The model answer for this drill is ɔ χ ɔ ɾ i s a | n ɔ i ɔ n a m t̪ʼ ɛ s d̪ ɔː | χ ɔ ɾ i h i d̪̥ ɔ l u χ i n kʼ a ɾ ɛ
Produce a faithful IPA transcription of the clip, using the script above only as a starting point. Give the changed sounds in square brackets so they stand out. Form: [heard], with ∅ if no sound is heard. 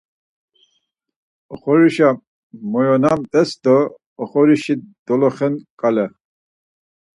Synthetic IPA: ɔ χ ɔ ɾ i [ʃ] a | [m] ɔ [j] ɔ n a m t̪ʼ ɛ s d̪ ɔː | χ ɔ ɾ i [ʃ] i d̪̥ ɔ l [ɔ] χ [ɛ] n kʼ a [l] ɛ